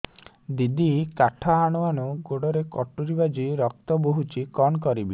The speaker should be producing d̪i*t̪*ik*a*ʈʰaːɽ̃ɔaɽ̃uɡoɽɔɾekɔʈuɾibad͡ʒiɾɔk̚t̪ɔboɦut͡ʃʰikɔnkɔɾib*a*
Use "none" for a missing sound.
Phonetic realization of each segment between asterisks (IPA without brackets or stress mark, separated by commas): d̪, a, i